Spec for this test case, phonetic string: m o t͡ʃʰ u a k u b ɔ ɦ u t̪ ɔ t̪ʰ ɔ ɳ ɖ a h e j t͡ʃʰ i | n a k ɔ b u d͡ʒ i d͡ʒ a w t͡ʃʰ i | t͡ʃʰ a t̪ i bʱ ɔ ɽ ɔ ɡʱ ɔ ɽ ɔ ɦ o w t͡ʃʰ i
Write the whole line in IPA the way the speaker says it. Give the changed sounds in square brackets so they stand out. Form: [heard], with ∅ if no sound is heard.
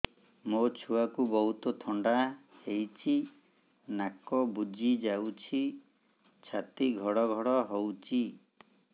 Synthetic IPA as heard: m o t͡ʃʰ u a k u b ɔ ɦ u t̪ ɔ t̪ʰ ɔ ɳ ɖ a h e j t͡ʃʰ i | n a k ɔ b u d͡ʒ i d͡ʒ a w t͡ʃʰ i | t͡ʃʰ a t̪ i [ɡʱ] ɔ ɽ ɔ ɡʱ ɔ ɽ ɔ ɦ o w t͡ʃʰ i